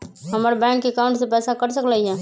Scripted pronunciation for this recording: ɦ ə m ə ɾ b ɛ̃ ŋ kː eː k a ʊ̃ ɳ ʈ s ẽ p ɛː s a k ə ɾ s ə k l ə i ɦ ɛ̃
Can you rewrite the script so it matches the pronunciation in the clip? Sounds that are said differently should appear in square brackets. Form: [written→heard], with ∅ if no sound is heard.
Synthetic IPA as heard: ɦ ə m ə ɾ b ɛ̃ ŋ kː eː k a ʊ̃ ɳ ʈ s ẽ p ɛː s a k ə ɾ s ə k l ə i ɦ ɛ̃